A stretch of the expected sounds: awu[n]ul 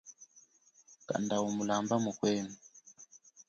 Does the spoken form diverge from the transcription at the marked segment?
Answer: yes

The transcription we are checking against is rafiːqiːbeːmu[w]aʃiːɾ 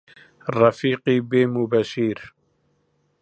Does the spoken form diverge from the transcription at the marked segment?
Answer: yes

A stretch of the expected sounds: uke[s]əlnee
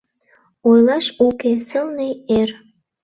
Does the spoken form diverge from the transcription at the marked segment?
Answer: no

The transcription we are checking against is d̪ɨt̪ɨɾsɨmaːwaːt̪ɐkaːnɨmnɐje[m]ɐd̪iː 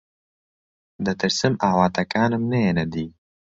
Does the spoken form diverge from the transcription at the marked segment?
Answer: yes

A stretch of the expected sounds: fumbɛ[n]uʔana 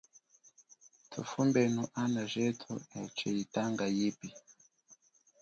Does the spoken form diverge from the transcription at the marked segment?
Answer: no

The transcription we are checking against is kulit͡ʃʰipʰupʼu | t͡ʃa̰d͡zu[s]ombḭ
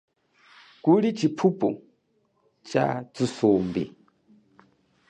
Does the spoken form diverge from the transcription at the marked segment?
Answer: no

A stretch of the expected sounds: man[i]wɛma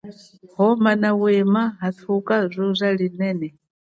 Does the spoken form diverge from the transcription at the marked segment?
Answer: yes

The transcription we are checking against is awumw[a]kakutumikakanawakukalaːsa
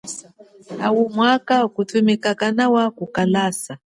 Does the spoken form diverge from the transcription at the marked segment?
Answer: no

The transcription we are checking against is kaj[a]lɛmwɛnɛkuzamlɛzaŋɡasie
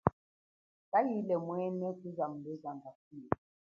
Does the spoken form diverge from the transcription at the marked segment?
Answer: yes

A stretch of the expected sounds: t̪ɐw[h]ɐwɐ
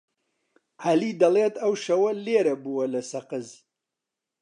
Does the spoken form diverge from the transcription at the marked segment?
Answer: yes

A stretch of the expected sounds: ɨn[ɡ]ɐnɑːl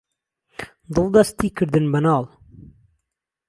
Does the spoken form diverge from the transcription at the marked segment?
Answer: yes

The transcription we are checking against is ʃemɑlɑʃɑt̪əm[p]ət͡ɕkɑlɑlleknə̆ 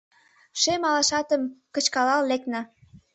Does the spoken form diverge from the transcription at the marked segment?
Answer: yes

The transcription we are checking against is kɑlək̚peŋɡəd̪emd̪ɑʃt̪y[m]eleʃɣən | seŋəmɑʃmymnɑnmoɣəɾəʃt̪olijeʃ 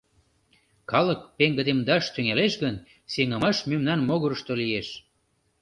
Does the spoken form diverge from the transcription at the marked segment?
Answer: yes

